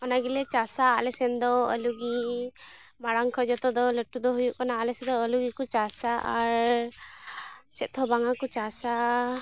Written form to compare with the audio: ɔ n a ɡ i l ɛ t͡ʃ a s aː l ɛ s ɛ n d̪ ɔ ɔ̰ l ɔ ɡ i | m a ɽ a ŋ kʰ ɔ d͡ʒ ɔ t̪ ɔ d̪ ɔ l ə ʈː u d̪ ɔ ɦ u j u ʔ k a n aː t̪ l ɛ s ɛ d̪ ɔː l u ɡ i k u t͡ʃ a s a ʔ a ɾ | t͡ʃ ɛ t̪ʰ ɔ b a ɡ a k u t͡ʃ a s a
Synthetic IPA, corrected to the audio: ɔ n a ɡ i l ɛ t͡ʃ a s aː l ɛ s ɛ n d̪ ɔ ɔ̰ l u ɡ i | m a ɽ a ŋ kʰ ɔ d͡ʒ ɔ t̪ ɔ d̪ ɔ l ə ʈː u d̪ ɔ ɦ u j u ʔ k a n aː l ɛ s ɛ d̪ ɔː l u ɡ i k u t͡ʃ a s a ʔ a ɾ | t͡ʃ ɛ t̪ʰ ɔ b a ŋ a k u t͡ʃ a s a